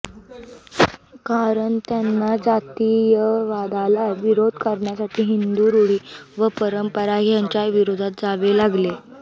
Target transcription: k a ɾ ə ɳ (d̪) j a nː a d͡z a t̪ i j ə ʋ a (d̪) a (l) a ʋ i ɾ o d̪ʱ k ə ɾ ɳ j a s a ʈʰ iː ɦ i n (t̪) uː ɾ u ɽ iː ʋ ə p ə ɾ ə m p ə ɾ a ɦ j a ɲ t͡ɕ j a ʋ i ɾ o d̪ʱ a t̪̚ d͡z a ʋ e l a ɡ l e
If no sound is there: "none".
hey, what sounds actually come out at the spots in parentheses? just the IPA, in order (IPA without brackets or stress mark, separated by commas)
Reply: t̪, d̪, l, d̪